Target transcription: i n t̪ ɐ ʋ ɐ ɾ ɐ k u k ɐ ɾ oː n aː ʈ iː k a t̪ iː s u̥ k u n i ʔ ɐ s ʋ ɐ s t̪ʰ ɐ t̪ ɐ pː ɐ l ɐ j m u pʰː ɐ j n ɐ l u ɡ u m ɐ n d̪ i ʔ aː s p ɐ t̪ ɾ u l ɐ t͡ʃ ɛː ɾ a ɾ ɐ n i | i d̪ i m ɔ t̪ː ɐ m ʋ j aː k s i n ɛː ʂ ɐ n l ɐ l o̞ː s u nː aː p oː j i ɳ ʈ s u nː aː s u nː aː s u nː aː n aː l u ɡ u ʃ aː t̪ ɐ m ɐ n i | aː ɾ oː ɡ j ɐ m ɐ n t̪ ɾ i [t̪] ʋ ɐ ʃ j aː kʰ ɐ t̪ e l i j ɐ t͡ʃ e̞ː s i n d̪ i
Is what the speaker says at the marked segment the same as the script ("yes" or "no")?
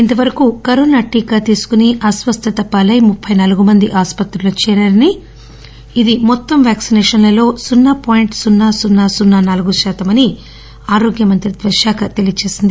no